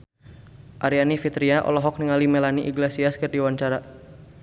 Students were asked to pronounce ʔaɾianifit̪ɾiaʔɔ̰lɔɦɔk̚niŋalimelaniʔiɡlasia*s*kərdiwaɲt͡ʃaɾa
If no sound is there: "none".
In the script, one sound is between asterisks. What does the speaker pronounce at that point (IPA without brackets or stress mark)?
s